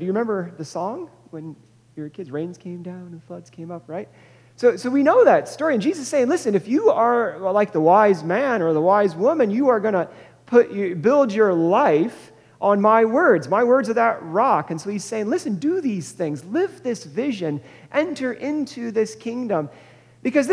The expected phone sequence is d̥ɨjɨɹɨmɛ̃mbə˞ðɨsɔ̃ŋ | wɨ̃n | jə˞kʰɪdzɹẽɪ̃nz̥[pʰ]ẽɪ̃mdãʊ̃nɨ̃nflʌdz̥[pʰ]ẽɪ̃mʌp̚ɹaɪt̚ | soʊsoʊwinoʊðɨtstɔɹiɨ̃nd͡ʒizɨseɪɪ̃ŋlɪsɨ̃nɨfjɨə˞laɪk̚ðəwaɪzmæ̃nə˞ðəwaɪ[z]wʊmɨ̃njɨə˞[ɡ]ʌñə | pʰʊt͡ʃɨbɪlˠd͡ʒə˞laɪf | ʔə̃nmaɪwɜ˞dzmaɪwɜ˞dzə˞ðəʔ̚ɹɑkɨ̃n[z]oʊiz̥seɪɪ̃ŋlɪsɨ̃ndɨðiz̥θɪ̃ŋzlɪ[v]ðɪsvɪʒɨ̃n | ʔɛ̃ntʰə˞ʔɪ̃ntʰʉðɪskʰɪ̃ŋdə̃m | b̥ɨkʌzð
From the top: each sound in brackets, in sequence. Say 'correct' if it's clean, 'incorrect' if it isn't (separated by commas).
incorrect, incorrect, correct, correct, incorrect, correct